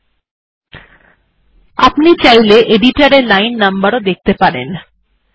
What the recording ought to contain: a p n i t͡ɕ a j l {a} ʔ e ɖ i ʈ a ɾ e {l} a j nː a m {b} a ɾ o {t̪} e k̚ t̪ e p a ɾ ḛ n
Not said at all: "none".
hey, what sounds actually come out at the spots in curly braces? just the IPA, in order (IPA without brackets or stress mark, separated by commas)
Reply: e, l, b, d̪